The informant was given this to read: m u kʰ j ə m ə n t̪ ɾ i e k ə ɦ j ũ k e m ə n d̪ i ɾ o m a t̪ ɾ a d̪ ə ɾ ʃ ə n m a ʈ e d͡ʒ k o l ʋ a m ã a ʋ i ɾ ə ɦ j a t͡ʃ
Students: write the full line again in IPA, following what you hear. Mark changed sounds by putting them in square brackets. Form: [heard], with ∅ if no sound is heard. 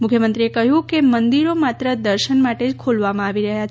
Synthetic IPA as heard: m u kʰ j ə m ə n t̪ ɾ i e k ə ɦ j ũ k e m ə n d̪ i ɾ o m a t̪ ɾ [ə] d̪ ə ɾ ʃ ə n m a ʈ e d͡ʒ [kʰ] o l ʋ a m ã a ʋ i ɾ ə ɦ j a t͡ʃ